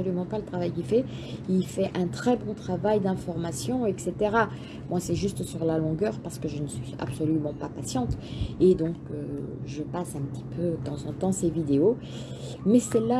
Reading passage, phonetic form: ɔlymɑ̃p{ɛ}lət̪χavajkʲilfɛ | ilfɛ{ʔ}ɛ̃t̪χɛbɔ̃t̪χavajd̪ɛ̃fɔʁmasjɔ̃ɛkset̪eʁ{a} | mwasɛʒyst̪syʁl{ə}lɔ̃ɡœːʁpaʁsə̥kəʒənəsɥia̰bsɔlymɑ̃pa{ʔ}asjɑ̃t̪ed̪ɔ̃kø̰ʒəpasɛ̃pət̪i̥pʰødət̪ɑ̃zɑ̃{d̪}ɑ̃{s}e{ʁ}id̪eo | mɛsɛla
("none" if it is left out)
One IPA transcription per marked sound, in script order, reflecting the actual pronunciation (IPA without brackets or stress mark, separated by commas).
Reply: a, ʔ, a, a, p, t̪, s, v